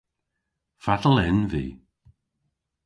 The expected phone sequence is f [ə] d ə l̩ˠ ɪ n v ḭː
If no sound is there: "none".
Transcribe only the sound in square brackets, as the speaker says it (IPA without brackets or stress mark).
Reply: a